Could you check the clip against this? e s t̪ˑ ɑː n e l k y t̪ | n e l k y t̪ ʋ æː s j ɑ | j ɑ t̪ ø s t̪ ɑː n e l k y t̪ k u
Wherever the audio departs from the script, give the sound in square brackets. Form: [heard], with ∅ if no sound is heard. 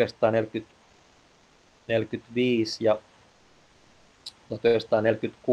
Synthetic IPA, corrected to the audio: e s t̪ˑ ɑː n e l k y t̪ | n e l k y t̪ ʋ [iː] s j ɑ | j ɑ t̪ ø s t̪ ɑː n e l k y t̪ k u